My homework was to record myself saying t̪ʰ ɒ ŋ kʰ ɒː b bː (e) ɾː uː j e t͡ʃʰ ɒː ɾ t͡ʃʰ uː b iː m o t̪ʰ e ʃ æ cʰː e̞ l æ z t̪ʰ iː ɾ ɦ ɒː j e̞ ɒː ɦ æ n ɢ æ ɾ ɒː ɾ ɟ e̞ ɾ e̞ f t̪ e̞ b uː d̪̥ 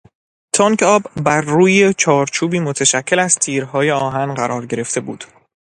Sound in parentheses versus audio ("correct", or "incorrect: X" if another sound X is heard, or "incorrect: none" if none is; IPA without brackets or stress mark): incorrect: æ